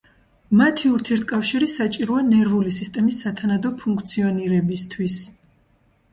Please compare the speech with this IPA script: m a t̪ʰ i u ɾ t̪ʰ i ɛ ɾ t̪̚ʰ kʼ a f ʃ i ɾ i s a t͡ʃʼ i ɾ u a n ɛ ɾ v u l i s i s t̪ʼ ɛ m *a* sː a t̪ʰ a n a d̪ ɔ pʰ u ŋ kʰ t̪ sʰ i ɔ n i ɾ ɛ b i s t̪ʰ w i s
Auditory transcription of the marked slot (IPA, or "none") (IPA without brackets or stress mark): i